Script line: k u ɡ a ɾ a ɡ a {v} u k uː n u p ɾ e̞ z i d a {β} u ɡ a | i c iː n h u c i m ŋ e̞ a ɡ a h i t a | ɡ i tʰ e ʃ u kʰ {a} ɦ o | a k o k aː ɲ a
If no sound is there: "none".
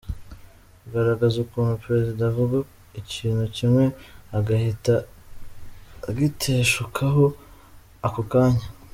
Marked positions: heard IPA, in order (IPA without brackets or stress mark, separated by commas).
z, v, a